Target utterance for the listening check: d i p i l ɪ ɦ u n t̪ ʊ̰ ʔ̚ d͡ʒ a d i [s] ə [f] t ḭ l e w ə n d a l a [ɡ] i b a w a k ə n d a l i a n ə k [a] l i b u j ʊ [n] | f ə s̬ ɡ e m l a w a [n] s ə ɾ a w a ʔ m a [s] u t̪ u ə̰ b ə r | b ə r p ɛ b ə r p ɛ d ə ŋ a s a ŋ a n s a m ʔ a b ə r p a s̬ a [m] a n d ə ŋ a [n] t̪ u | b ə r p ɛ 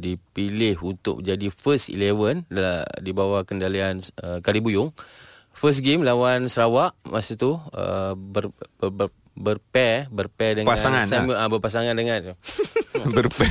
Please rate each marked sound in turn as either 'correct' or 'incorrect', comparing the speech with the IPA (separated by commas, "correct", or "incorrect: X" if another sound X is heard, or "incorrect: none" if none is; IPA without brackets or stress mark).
incorrect: f, incorrect: s, incorrect: d, correct, incorrect: ŋ, correct, correct, incorrect: ŋ, correct